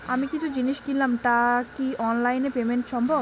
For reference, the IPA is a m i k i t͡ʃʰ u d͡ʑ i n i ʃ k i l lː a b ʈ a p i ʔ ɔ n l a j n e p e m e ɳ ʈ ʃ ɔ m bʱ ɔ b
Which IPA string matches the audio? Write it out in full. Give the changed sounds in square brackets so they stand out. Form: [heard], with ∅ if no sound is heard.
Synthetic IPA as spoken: a m i k i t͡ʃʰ u d͡ʑ i n i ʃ k i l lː a [m] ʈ a [k] i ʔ ɔ n l a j n e p e m e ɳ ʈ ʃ ɔ m bʱ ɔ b